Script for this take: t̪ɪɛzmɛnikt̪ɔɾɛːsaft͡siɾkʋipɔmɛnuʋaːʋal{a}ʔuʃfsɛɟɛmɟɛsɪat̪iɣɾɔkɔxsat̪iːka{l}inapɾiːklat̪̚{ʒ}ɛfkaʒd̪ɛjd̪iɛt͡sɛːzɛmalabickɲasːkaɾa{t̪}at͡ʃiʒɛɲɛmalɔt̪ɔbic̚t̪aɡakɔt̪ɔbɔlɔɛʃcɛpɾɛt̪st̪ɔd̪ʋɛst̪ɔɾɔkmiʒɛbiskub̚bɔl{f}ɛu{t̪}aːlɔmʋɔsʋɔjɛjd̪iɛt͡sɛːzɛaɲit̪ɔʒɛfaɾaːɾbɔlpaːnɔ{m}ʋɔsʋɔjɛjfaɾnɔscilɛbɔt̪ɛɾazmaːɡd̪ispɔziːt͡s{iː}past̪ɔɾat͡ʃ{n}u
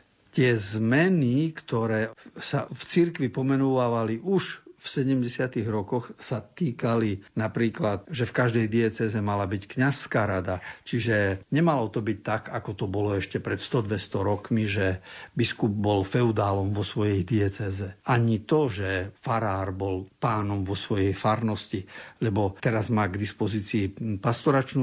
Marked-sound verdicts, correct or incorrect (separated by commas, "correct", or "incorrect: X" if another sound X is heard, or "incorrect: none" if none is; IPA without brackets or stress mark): incorrect: i, correct, correct, incorrect: d̪, correct, incorrect: d̪, correct, correct, correct